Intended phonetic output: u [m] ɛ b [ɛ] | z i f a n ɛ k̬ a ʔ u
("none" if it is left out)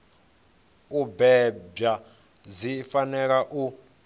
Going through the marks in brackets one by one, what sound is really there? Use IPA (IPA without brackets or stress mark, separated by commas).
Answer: b, a